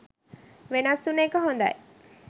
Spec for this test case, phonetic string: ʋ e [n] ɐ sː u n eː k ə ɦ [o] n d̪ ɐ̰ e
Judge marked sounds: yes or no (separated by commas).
yes, yes